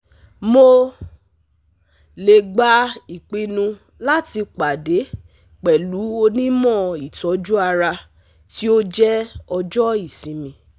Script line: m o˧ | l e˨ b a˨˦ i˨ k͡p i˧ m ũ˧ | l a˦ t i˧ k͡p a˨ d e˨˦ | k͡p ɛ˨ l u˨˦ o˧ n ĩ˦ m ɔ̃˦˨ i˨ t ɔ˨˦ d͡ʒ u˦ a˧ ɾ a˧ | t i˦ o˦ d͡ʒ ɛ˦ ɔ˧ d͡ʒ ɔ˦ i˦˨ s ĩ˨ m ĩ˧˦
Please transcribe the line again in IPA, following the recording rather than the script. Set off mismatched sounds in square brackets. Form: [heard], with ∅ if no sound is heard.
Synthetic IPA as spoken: m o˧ | l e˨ [ɡ͡b] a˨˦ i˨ k͡p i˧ [n] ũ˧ | l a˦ t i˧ k͡p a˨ d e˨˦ | k͡p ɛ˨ l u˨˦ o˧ n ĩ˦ m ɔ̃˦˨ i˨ t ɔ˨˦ d͡ʒ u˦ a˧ ɾ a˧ | t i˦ o˦ d͡ʒ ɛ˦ ɔ˧ d͡ʒ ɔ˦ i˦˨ s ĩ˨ m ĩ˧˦